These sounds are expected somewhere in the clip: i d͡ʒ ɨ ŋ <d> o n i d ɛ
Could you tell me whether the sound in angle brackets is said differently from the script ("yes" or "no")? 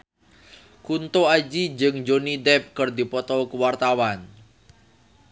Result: yes